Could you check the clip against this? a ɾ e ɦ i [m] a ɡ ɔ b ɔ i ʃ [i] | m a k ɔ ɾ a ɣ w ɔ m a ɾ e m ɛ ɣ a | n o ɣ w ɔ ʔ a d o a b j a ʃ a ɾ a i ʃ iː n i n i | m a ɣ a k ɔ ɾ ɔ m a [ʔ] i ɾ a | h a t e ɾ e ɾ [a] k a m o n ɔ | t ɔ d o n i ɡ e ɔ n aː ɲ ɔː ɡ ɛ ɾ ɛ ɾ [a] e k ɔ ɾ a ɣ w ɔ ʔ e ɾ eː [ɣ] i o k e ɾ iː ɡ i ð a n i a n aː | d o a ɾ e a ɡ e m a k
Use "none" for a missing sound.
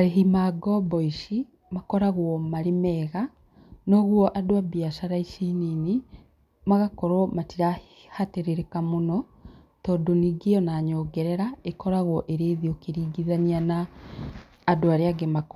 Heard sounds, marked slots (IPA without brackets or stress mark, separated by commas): m, i, t, e, a, ð